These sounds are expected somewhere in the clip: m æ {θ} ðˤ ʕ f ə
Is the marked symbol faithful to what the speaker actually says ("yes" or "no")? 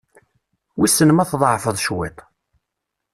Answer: yes